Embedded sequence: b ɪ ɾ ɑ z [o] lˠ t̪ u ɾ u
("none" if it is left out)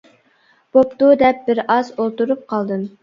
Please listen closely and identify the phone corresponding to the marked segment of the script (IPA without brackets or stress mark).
o